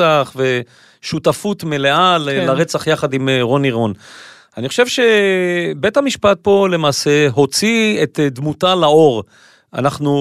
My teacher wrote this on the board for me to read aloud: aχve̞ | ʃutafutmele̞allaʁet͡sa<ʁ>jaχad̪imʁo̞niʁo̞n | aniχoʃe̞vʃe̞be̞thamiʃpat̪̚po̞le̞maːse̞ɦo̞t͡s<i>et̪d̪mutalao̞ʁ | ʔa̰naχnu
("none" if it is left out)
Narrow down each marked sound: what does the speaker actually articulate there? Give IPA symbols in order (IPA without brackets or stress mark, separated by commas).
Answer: χ, i